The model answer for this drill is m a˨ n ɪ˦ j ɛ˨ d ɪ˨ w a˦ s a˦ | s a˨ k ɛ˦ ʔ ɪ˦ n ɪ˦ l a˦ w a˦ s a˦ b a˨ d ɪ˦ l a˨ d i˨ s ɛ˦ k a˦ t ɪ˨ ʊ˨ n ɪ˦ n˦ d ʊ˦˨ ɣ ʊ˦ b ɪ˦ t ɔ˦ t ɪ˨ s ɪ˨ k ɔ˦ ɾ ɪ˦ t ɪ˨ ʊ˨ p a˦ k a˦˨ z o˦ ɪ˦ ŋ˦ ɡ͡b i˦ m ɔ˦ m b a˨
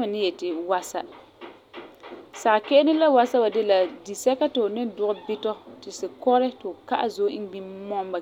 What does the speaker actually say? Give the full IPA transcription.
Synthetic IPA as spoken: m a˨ n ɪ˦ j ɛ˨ t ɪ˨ w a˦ s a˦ | s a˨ k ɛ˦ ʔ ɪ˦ n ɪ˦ l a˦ w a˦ s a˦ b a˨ d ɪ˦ l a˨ d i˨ s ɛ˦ k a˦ t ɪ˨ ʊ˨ n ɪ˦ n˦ d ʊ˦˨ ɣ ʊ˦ b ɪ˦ t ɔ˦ t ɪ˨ s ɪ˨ k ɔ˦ ɾ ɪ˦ t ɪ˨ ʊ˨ k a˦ ʔ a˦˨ z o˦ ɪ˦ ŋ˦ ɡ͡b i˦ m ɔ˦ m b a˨